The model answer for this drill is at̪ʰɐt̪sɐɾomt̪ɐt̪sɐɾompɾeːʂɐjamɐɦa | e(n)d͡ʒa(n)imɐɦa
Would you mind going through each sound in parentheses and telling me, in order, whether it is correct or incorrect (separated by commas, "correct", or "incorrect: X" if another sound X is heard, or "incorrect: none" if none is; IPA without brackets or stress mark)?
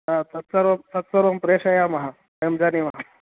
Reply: incorrect: m, correct